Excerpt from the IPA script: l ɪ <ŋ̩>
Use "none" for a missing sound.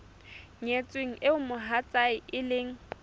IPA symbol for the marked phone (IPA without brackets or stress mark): ŋ̩